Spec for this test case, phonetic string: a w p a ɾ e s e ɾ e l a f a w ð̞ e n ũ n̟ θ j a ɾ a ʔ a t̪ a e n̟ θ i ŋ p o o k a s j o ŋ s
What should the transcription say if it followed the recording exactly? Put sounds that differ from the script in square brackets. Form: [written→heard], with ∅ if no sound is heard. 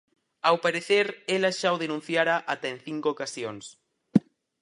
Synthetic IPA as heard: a w p a ɾ e [s→θ] e ɾ e l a [f→ʃ] a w ð̞ e n ũ n̟ θ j a ɾ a ʔ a t̪ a e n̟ θ i ŋ [p→k] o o k a s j o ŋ s